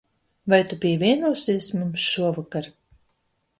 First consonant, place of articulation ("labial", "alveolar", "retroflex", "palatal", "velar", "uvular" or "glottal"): labial